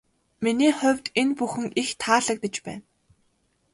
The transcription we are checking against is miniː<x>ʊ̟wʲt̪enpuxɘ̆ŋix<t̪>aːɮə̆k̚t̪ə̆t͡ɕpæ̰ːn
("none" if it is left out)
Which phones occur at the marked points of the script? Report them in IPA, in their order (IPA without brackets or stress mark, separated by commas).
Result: χ, t̪ʰ